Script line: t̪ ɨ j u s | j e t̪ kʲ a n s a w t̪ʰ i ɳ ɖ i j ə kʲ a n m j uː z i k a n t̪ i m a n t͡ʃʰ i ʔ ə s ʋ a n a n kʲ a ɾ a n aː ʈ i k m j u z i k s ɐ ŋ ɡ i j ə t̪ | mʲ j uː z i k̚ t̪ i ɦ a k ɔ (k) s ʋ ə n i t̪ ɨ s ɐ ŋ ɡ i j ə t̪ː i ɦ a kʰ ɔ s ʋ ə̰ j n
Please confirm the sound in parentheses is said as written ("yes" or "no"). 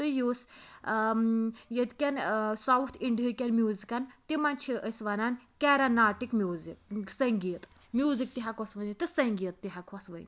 no